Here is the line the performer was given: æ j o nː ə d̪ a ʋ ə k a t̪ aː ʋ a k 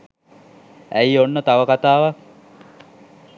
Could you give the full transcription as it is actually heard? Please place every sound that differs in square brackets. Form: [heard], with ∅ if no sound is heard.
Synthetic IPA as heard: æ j o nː ə [t̪] a ʋ ə k a t̪ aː ʋ a k